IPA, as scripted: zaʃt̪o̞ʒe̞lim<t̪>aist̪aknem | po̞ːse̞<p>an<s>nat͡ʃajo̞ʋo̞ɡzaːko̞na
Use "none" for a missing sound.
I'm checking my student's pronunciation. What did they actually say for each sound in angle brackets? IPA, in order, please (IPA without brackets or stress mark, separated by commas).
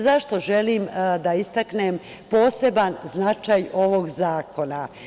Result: d̪, b, z